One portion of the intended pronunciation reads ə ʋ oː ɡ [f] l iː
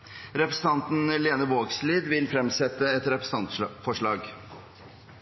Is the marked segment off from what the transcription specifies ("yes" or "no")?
yes